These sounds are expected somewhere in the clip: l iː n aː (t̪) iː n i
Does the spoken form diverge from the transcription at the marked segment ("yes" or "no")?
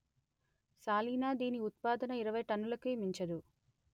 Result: yes